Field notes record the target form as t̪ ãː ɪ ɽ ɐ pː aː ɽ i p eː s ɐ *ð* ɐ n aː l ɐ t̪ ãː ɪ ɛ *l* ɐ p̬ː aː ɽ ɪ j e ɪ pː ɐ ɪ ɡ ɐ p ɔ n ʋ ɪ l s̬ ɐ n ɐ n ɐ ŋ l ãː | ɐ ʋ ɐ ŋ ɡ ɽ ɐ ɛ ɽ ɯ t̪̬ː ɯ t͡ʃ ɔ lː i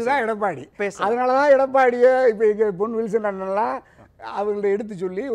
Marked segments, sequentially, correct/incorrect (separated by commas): correct, incorrect